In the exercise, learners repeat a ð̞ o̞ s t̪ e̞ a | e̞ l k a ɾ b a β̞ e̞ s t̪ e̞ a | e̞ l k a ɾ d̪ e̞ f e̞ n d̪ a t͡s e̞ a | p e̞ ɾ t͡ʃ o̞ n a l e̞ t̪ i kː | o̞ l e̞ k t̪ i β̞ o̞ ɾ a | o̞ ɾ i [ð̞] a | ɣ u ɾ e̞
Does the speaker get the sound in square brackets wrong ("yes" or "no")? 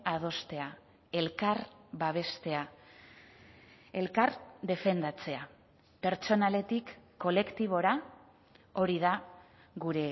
no